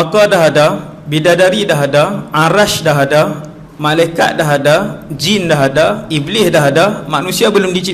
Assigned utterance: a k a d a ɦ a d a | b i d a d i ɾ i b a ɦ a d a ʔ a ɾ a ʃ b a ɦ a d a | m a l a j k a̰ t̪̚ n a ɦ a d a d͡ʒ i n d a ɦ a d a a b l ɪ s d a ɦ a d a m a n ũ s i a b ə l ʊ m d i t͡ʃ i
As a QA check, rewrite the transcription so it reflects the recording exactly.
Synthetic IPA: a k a d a ɦ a d a | b i d a d a ɾ i d a ɦ a d a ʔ a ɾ a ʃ d a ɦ a d a | m a l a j k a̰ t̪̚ d a ɦ a d a d͡ʒ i n d a ɦ a d a i b l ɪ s d a ɦ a d a m a n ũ s i a b ə l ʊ m d i t͡ʃ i

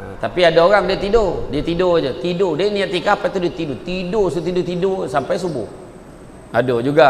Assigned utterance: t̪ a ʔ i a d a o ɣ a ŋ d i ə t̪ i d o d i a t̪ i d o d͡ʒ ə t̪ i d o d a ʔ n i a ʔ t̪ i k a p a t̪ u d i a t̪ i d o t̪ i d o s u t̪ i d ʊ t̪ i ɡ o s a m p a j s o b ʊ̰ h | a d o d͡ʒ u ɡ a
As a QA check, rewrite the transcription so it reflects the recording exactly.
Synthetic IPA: t̪ a p i a d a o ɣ a ŋ d i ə t̪ i d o d i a t̪ i d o d͡ʒ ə t̪ i d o d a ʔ n i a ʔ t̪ i k a p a t̪ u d i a t̪ i d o t̪ i d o s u t̪ i d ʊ t̪ i d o s a m p a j s u b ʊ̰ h | a d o d͡ʒ u ɡ a

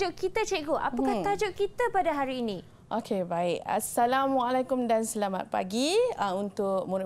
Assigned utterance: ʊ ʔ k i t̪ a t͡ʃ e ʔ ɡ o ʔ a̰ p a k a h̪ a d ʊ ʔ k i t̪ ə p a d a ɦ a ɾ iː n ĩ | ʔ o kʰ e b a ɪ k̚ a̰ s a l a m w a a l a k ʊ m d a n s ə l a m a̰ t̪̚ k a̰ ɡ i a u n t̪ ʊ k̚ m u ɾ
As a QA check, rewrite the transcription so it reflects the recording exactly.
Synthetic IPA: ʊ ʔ k i t̪ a t͡ʃ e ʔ ɡ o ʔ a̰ p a k a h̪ a d͡ʒ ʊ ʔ k i t̪ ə p a d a ɦ a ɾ iː n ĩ | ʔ o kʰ e b a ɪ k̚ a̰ s a l a m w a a l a k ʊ m d a n s ə l a m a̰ t̪̚ p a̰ ɡ i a u n t̪ ʊ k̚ m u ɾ

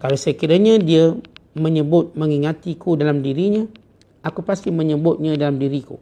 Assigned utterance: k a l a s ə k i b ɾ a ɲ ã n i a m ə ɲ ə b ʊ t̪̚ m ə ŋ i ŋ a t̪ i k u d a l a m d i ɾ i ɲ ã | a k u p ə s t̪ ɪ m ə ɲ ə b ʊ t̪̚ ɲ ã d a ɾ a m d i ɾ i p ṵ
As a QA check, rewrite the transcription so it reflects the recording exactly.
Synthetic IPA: k a l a s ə k i ɾ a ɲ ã d i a m ə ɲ ə b ʊ t̪̚ m ə ŋ i ŋ a t̪ i k u d a l a m d i ɾ i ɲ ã | a k u p a s t̪ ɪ m ə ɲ ə b ʊ t̪̚ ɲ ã d a l a m d i ɾ i k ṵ

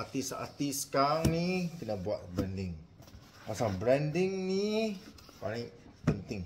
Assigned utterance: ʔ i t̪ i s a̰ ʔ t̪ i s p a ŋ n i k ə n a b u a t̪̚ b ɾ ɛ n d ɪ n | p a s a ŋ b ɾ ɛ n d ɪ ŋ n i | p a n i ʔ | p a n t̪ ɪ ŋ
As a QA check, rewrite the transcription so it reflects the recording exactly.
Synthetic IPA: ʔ a t̪ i s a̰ t̪ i s k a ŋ n i k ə n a b u a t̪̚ b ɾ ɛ n d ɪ ŋ | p a s a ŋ b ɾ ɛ n d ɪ ŋ n i | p a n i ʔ | p ə n t̪ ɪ ŋ

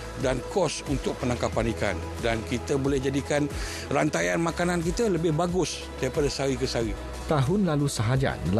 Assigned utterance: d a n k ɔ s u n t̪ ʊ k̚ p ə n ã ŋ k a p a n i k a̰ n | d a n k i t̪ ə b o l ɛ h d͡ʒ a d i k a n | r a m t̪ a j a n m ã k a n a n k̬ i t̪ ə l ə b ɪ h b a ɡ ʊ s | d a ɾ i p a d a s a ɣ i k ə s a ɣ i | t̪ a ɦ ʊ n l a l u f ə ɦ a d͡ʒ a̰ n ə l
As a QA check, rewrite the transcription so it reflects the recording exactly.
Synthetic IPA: d a n k ɔ s u n t̪ ʊ k̚ p ə n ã ŋ k a p a n i k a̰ n | d a n k i t̪ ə b o l ɛ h d͡ʒ a d i k a n | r a n t̪ a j a n m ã k a n a n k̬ i t̪ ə l ə b ɪ h b a ɡ ʊ s | d a ɾ i p a d a s a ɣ i k ə s a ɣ i | t̪ a ɦ ʊ n l a l u s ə ɦ a d͡ʒ a̰ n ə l

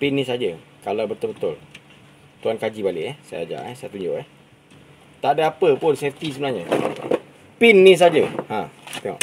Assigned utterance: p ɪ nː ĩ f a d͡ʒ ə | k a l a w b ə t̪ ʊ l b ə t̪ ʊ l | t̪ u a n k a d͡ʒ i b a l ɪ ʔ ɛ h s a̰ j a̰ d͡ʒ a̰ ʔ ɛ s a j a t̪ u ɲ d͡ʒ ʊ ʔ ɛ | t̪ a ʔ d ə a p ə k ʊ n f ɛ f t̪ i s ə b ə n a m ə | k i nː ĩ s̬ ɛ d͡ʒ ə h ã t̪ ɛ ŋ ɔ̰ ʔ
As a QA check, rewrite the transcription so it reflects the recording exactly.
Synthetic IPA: p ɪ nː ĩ s a d͡ʒ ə | k a l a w b ə t̪ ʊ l b ə t̪ ʊ l | t̪ u a n k a d͡ʒ i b a l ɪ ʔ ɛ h s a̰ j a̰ d͡ʒ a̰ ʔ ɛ s a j a t̪ u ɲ d͡ʒ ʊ ʔ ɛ | t̪ a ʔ d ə a p ə p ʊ n s ɛ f t̪ i s ə b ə n a ɲ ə | p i nː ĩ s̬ a d͡ʒ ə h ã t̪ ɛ ŋ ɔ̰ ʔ

